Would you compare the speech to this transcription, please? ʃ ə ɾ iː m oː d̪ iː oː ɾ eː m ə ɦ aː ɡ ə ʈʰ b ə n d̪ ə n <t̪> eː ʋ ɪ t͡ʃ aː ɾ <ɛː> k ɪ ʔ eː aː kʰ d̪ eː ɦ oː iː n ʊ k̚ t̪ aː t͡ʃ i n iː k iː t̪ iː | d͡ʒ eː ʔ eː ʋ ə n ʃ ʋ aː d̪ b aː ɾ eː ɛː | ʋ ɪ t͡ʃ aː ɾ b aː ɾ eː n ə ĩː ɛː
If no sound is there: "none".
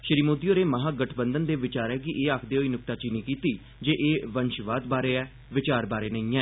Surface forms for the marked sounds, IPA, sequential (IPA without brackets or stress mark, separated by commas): d̪, ɛː